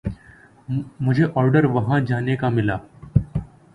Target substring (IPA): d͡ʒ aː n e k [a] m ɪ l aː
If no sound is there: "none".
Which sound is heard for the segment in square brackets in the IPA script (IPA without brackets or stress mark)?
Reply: a